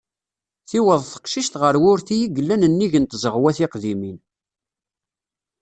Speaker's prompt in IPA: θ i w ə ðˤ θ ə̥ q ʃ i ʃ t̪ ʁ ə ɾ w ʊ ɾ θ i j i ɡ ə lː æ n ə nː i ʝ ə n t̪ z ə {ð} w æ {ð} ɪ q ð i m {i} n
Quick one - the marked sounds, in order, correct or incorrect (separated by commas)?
incorrect, incorrect, correct